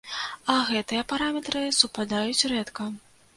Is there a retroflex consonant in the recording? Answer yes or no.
no